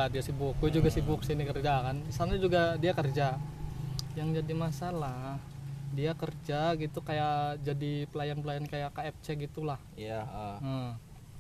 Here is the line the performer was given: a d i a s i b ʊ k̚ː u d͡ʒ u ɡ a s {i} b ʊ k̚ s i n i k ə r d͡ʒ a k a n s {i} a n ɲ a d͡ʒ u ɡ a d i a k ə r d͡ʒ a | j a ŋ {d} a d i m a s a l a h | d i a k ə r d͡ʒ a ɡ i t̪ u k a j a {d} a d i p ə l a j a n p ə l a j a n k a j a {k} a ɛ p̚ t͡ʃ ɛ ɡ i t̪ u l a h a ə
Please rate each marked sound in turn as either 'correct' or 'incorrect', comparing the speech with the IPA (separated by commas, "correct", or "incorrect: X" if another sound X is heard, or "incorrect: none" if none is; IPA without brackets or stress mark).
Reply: correct, incorrect: a, incorrect: d͡ʒ, incorrect: d͡ʒ, correct